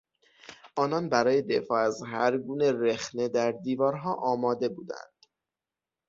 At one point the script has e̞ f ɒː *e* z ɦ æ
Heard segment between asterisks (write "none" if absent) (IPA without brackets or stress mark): æ